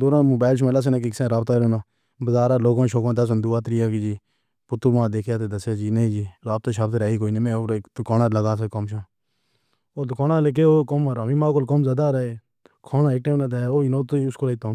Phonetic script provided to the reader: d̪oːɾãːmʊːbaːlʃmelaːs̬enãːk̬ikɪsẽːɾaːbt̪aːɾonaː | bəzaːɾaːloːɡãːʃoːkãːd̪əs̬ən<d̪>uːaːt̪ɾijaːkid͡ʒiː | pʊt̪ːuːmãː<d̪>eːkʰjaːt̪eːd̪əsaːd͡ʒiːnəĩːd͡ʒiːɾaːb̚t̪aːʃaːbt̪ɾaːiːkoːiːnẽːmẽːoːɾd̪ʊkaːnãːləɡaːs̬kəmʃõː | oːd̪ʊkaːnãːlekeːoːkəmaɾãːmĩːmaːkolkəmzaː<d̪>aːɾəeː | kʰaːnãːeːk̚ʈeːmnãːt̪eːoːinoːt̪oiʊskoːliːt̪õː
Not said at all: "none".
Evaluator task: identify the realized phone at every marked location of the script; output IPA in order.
d̪, d̪, d̪

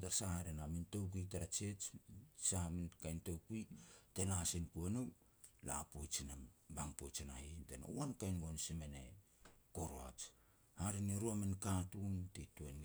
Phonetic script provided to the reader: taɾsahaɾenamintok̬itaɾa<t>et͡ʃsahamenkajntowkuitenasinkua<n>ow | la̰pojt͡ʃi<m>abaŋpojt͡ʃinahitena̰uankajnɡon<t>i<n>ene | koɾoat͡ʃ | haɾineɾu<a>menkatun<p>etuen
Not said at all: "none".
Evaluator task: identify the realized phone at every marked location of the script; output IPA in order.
t͡ʃ, n, n, s, m, a, t

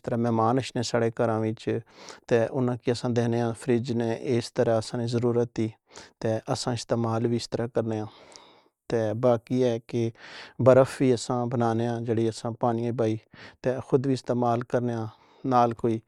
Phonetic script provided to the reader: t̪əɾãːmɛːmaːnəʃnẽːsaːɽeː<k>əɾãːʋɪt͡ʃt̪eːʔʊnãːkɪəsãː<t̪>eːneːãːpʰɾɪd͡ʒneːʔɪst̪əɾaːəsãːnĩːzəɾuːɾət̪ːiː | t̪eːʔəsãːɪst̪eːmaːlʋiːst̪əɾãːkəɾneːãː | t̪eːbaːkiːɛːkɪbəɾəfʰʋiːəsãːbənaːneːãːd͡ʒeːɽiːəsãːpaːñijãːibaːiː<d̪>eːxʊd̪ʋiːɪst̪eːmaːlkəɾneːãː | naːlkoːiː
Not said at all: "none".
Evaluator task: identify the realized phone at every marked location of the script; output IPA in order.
k, d̪, t̪

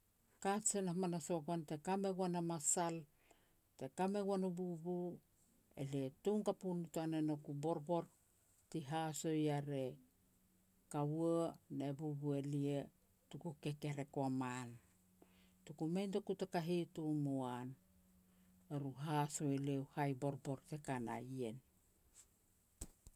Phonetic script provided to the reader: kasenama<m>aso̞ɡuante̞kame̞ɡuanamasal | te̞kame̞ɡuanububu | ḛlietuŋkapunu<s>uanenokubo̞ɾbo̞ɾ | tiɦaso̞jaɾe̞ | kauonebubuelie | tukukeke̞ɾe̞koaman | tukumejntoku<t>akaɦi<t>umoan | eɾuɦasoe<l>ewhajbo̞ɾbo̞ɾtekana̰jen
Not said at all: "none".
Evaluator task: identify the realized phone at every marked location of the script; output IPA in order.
n, t, t, t, l

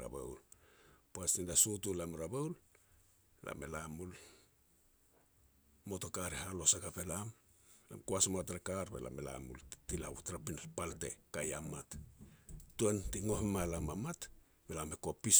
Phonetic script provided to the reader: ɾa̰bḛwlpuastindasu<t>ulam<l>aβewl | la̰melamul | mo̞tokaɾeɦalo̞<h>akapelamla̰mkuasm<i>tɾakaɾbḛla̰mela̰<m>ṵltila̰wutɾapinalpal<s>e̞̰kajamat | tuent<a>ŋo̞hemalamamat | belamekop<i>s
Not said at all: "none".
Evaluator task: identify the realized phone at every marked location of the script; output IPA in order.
t, ɾ, s, a, m, t, i, i

